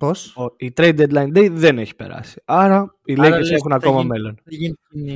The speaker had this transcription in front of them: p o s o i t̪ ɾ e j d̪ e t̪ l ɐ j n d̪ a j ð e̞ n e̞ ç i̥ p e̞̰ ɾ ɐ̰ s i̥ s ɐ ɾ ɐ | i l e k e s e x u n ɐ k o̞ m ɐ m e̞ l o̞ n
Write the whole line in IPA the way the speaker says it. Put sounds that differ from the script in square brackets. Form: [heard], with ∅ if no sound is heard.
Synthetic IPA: p o s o i t̪ ɾ e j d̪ e [d̪] l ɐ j n d̪ [e] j ð e̞ n e̞ ç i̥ p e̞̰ ɾ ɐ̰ s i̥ [∅] ɐ ɾ ɐ | i l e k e s e x u n ɐ k o̞ m ɐ m e̞ l o̞ n